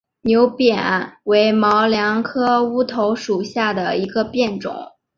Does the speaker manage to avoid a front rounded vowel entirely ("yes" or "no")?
yes